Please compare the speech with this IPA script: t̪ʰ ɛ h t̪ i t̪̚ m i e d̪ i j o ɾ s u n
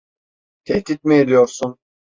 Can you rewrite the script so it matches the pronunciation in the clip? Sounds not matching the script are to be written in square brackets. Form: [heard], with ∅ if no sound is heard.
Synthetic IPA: t̪ʰ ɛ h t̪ i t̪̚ m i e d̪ i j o ɾ s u n

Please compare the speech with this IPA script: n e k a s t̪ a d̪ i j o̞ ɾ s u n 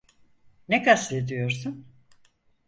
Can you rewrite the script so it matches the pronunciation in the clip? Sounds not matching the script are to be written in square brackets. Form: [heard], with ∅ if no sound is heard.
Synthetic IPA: n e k a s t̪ [e] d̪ i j o̞ ɾ s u n

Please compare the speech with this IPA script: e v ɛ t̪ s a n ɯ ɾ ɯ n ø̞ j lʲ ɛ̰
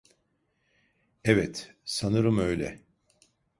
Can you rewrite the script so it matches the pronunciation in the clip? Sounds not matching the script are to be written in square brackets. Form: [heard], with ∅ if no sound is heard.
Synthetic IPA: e v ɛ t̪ s a n ɯ ɾ ɯ [m] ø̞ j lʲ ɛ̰

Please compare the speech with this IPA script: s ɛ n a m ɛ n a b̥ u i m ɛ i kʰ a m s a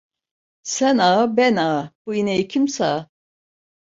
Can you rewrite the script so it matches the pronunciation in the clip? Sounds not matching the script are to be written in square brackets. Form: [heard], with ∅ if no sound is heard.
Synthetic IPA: s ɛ n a [b] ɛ n a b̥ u i [n] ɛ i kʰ [i] m s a

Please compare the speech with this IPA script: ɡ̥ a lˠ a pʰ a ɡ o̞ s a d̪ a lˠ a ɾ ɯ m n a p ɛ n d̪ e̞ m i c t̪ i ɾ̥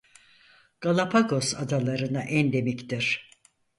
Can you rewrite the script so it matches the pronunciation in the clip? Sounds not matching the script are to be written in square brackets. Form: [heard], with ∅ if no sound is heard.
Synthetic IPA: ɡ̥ a lˠ a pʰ a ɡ o̞ s a d̪ a lˠ a ɾ ɯ [∅] n a [ʔ] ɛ n d̪ e̞ m i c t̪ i ɾ̥

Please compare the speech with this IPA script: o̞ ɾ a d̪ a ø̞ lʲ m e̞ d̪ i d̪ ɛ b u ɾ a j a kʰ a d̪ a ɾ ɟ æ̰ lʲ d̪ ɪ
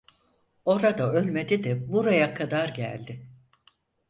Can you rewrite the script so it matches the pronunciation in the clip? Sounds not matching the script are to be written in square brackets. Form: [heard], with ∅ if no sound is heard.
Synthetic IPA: o̞ ɾ a d̪ a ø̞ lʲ m e̞ d̪ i d̪ ɛ b u ɾ a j a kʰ a d̪ a ɾ ɟ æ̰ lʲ d̪ ɪ

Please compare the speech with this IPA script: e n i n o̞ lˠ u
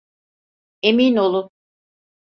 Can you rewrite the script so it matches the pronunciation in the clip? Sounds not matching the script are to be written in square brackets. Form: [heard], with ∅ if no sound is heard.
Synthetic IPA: e [m] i n o̞ lˠ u

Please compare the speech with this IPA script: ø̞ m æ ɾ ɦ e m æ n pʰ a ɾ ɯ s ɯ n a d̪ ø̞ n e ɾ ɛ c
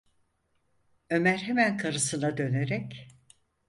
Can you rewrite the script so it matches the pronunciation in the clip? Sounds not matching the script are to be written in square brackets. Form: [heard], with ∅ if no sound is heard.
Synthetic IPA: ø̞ m æ ɾ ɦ e m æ n [kʰ] a ɾ ɯ s ɯ n a d̪ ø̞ n e ɾ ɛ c

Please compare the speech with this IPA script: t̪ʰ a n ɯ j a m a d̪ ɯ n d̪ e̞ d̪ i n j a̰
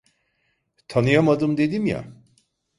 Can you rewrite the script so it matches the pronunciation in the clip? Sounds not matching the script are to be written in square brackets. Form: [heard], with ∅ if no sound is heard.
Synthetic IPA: t̪ʰ a n ɯ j a m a d̪ ɯ [m] d̪ e̞ d̪ i [m] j a̰

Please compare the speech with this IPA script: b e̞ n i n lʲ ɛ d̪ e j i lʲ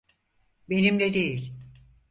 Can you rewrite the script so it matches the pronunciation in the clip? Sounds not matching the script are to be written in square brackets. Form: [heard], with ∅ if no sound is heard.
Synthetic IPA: b e̞ n i [m] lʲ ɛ d̪ e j i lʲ

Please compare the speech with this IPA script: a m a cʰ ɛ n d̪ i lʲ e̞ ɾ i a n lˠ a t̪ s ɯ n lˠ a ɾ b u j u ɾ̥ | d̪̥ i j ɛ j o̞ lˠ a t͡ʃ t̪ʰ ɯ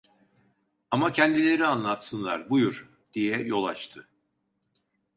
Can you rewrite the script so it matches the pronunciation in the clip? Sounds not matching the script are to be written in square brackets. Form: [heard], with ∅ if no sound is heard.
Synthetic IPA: a m a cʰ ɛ n d̪ i lʲ e̞ ɾ i a n lˠ a t̪ s ɯ n lˠ a ɾ b u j u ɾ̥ | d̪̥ i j ɛ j o̞ lˠ a t͡ʃ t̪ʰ ɯ

